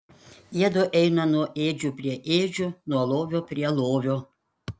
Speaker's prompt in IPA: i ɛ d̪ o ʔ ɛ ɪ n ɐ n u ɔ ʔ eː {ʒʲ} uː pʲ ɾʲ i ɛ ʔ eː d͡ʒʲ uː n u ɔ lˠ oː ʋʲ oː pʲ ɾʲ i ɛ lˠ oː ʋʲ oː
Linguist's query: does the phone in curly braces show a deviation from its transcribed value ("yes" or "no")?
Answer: yes